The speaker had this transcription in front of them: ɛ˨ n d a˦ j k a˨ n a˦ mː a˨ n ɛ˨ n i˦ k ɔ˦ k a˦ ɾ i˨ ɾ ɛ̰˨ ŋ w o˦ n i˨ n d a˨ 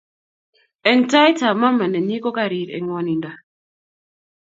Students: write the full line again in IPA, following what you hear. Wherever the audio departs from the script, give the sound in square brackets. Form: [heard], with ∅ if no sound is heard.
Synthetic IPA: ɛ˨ n [t] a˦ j [t] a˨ [m] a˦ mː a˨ n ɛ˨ n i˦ k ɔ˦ k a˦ ɾ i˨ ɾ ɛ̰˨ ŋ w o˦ n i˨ n d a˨